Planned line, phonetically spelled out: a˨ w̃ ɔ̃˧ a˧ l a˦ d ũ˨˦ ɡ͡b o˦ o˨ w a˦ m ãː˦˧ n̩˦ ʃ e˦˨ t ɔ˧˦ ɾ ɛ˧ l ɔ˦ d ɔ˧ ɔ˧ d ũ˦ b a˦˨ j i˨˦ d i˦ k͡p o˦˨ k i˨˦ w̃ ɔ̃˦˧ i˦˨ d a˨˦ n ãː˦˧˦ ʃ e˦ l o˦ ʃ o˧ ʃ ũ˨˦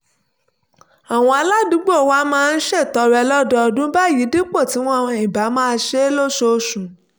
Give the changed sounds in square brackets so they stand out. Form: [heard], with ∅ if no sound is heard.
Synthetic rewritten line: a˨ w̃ ɔ̃˧ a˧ l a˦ d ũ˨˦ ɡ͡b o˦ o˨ w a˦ m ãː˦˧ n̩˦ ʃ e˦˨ t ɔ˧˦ ɾ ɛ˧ l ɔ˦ d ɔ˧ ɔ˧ d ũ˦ b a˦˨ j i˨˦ d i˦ k͡p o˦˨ [t] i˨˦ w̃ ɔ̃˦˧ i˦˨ [b] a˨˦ [m] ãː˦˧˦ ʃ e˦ l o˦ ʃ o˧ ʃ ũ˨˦